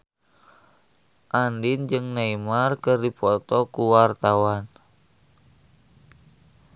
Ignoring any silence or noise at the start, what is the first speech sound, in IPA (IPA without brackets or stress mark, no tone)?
ʔ